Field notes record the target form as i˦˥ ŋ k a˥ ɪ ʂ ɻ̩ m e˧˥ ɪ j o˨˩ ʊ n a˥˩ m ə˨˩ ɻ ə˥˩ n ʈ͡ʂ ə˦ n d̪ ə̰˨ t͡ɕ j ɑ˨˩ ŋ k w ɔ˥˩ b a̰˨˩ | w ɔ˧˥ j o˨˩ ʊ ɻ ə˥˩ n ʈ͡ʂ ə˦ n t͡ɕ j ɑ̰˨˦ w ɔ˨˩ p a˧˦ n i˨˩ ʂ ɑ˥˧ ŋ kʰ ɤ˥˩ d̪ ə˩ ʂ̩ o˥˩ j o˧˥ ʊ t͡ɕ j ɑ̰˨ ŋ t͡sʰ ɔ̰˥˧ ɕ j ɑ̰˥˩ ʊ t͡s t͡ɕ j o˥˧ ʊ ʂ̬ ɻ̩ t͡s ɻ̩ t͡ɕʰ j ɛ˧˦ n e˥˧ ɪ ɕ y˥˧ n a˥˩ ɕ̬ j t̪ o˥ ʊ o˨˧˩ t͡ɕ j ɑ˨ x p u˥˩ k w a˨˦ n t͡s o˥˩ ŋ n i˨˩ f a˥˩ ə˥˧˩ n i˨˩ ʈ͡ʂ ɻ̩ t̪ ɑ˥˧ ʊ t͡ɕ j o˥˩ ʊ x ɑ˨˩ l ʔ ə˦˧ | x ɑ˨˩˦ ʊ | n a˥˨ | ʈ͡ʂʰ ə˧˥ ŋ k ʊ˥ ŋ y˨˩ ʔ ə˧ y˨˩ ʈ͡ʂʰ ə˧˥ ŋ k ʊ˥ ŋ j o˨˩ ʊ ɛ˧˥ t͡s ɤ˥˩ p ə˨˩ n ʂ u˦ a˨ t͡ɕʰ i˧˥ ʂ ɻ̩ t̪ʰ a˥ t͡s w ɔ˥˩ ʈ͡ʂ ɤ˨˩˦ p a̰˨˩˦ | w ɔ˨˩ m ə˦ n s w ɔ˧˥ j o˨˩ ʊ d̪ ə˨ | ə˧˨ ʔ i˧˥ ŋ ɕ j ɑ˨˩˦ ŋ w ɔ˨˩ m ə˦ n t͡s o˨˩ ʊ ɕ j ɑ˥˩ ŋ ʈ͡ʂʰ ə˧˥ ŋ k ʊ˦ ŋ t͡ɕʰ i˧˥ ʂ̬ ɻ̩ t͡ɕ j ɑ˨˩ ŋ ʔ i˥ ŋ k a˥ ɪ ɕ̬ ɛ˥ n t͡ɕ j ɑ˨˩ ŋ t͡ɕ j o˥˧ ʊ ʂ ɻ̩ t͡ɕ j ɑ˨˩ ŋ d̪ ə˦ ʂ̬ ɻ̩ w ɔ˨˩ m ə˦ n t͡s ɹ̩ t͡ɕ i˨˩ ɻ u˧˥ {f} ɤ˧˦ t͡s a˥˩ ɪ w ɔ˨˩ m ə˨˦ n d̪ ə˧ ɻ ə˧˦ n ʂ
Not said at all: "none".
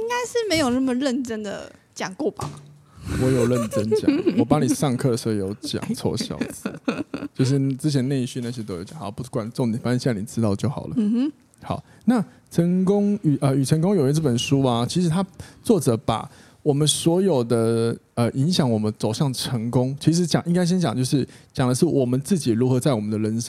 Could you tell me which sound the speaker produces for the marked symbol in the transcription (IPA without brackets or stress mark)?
x